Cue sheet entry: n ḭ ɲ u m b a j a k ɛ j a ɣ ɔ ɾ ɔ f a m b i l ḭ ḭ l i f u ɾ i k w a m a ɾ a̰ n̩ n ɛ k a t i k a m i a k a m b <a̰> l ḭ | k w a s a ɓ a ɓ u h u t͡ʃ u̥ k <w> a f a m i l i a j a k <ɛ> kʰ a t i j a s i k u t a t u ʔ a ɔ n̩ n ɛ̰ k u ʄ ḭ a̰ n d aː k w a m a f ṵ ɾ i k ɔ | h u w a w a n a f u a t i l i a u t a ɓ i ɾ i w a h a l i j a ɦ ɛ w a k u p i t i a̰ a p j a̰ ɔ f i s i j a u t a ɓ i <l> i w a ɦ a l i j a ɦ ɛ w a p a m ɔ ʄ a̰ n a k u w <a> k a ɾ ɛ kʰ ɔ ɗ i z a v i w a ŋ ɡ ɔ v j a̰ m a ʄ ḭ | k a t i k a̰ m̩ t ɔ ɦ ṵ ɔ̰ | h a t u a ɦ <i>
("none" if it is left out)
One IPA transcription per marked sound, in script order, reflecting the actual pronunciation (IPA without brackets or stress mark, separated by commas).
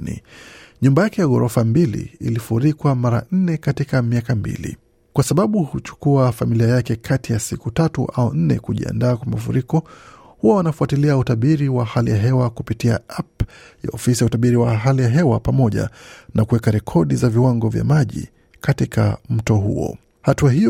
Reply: ḭ, u, ɛ, ɾ, ɛ, i